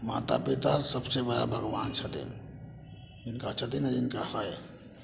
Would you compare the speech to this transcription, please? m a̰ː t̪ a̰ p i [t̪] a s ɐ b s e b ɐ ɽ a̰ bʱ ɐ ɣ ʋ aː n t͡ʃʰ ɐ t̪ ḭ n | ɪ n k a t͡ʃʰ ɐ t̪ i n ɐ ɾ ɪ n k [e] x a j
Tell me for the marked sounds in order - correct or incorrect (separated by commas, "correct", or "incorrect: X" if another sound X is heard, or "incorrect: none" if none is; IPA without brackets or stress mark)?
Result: correct, incorrect: a